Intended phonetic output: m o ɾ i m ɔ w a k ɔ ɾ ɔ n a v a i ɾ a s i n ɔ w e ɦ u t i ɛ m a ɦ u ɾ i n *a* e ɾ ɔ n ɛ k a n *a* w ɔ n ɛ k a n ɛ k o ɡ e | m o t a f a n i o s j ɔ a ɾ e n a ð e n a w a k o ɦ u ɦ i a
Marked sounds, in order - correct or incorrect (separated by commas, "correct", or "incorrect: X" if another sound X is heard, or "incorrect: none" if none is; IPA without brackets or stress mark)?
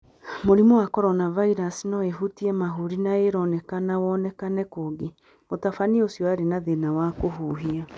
correct, correct